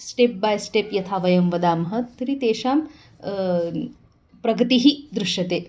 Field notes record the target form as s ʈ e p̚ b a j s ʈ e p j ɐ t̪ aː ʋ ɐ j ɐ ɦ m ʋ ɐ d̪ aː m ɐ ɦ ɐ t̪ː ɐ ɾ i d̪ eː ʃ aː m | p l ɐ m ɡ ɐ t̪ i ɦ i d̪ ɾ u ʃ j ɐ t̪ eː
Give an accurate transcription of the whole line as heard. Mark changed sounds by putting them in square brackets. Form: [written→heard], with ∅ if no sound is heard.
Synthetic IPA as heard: s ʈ e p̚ b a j s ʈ e p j ɐ [t̪→t̪ʰ] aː ʋ ɐ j ɐ [ɦ→∅] m ʋ ɐ d̪ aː m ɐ ɦ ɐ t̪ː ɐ ɾ i [d̪→t̪] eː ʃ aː m | p [l→ɾ] ɐ [m→∅] ɡ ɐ t̪ i ɦ i d̪ ɾ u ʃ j ɐ t̪ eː